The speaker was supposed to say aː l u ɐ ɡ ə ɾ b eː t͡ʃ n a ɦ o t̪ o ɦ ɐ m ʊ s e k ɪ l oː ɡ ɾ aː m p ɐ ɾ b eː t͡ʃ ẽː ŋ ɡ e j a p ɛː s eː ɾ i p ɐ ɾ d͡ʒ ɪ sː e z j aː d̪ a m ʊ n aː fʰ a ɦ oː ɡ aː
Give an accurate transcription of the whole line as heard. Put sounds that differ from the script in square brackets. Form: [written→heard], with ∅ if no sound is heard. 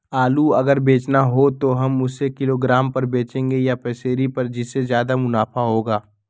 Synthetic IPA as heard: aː l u ɐ ɡ ə ɾ b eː t͡ʃ n a ɦ o t̪ o ɦ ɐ m ʊ s e k ɪ l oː ɡ ɾ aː m p ɐ ɾ b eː t͡ʃ ẽː ŋ ɡ e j a p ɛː s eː ɾ i p ɐ ɾ d͡ʒ ɪ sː e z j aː d̪ a m ʊ n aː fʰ a ɦ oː ɡ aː

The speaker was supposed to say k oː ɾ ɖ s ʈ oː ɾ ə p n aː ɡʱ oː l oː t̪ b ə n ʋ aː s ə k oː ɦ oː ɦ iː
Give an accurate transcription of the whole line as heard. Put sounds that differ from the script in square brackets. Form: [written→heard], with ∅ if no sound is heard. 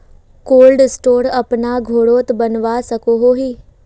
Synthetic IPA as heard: k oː [ɾ→l] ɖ s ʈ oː ɾ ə p n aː ɡʱ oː [l→ɽ] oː t̪ b ə n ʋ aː s ə k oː ɦ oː ɦ iː

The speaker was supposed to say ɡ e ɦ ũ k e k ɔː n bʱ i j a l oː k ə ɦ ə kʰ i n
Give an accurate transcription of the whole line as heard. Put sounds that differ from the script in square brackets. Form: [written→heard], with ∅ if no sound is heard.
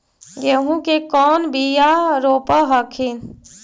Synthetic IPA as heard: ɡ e ɦ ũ k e k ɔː n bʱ i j a [l→ɾ] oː [k→p] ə ɦ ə kʰ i n

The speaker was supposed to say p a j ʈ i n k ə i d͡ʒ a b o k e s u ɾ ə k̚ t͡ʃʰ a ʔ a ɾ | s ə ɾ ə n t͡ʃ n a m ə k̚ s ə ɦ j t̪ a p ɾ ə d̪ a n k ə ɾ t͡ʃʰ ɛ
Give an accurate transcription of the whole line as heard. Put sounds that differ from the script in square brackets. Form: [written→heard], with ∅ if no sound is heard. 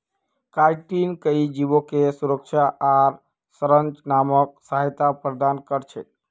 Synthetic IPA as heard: [p→k] a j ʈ i n k ə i d͡ʒ [a→i] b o k e s u ɾ ə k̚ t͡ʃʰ a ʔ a ɾ | s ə ɾ ə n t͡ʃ n a m ə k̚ s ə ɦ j t̪ a p ɾ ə d̪ a n k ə ɾ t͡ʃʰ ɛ

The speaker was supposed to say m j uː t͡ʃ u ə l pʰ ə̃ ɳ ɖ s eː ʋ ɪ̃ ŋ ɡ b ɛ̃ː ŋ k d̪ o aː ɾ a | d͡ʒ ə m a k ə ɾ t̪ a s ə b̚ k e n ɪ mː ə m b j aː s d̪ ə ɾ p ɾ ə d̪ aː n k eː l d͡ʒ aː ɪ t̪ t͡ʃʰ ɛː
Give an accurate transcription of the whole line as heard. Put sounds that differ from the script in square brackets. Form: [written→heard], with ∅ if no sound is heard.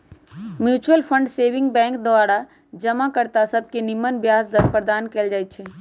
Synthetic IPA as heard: m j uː t͡ʃ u ə l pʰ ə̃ ɳ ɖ s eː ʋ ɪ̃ ŋ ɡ b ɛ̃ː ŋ k d̪ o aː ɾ a | d͡ʒ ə m a k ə ɾ t̪ a s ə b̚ k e n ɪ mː ə [m→n] b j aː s d̪ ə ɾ p ɾ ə d̪ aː n k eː l d͡ʒ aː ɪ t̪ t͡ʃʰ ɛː

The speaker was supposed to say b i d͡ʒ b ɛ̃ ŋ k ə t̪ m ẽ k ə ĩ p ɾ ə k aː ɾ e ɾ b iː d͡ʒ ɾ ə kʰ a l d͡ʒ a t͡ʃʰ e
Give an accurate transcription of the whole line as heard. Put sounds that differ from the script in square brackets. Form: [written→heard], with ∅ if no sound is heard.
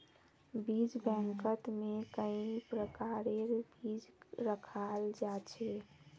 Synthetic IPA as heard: b i d͡ʒ b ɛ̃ ŋ k ə t̪ m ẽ k ə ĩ p ɾ ə k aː ɾ e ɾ b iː d͡ʒ ɾ ə kʰ a l d͡ʒ a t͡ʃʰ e

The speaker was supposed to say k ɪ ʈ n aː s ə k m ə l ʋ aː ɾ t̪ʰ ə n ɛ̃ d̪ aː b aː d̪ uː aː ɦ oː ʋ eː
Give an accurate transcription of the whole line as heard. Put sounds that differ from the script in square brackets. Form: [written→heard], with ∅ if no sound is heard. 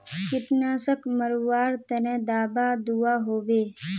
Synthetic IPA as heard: k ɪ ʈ n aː s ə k m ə [l→ɾ] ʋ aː ɾ [t̪ʰ→t̪] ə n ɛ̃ d̪ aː b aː d̪ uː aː ɦ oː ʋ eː

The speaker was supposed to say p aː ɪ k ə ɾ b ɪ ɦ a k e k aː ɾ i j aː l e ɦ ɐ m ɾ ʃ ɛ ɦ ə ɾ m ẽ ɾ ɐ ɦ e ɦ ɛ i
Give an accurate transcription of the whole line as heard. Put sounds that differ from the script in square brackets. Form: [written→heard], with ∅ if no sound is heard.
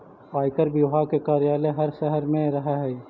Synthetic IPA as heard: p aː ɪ k ə ɾ b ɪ ɦ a k e k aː ɾ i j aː l e ɦ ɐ [m→∅] ɾ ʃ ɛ ɦ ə ɾ m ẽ ɾ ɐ ɦ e ɦ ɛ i

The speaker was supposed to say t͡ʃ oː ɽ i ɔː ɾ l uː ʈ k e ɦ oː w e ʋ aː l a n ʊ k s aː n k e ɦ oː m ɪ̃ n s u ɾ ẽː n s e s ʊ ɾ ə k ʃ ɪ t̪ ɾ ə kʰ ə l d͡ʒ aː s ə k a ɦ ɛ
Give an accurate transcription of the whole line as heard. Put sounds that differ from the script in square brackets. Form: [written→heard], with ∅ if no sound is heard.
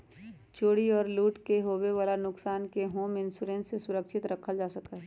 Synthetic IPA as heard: t͡ʃ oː ɽ i ɔː ɾ l uː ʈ k e ɦ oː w e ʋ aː l a n ʊ k s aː n k e ɦ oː m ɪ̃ n s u ɾ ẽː n s e s ʊ ɾ ə k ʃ ɪ t̪ ɾ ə kʰ ə l d͡ʒ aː s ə k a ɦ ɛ

